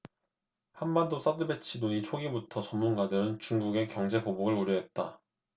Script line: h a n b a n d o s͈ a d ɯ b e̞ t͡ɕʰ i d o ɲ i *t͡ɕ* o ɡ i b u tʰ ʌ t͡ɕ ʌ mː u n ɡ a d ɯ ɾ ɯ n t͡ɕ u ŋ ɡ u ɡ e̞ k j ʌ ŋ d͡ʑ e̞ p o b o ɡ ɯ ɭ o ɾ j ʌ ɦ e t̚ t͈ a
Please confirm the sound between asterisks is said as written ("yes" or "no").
no